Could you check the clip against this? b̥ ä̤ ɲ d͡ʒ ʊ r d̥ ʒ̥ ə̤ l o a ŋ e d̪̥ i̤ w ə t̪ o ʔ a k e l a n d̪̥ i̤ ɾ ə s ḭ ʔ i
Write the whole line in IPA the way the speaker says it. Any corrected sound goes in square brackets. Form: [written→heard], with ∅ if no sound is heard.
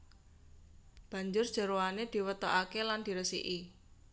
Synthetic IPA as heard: b̥ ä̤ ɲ d͡ʒ ʊ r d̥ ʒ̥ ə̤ [l→ɾ] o a [ŋ→n] e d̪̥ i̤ w ə t̪ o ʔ a k e l a n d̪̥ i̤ ɾ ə s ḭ ʔ i